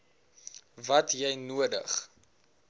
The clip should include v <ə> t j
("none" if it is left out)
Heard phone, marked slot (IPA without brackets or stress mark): ɐ